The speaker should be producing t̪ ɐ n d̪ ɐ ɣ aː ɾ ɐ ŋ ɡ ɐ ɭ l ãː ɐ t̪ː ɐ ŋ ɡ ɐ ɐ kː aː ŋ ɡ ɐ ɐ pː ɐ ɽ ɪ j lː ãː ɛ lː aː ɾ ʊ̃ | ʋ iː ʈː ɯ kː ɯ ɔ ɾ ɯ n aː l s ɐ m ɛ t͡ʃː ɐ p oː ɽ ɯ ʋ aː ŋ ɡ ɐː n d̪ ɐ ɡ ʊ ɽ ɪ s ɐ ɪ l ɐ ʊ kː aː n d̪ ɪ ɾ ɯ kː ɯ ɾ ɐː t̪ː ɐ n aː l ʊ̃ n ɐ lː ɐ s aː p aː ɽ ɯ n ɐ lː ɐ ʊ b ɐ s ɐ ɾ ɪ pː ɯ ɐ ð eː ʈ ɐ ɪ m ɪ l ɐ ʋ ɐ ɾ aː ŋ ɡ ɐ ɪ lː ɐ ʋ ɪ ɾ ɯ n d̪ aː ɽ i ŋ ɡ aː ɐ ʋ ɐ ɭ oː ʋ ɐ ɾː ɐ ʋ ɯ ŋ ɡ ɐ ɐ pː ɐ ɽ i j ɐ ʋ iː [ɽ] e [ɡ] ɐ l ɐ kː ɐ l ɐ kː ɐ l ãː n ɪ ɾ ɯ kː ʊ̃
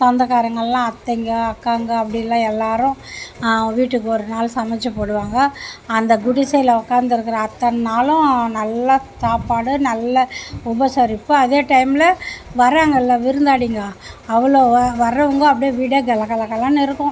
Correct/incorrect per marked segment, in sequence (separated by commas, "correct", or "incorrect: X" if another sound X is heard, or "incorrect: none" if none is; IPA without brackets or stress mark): correct, correct